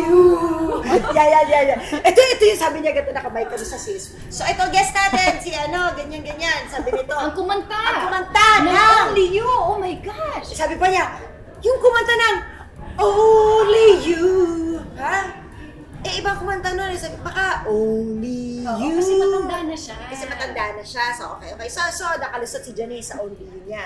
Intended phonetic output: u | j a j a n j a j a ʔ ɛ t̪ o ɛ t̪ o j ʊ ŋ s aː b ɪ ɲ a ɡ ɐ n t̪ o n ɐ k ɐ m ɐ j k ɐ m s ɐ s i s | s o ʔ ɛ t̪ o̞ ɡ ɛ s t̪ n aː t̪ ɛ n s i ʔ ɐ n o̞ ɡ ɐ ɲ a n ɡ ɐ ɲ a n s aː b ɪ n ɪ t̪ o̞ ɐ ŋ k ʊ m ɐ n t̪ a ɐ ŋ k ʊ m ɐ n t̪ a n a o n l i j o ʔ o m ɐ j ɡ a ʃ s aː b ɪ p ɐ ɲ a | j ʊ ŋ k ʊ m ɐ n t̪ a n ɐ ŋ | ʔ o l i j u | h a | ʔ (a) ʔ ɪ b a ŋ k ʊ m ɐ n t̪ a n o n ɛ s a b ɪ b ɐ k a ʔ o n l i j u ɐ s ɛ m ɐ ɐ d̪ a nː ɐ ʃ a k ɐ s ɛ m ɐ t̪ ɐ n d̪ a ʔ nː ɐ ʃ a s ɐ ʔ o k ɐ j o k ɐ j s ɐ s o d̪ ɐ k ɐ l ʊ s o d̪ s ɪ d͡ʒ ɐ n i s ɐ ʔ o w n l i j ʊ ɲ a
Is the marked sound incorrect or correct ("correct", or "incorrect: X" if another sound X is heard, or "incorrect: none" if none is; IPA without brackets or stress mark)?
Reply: incorrect: ɛ